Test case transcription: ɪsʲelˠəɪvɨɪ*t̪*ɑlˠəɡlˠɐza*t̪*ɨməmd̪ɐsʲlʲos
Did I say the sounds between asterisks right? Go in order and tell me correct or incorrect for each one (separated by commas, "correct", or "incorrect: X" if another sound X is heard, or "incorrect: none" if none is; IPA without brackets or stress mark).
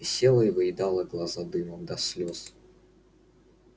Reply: incorrect: d̪, incorrect: d̪